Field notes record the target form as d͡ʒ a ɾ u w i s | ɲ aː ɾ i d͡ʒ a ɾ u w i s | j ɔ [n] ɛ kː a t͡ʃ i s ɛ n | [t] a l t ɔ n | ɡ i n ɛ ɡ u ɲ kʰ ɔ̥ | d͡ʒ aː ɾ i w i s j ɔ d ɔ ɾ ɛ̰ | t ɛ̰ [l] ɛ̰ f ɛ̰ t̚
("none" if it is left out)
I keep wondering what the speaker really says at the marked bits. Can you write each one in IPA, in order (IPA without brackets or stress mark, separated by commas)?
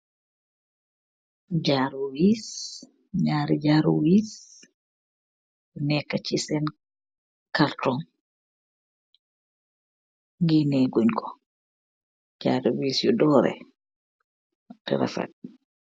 n, k, ɾ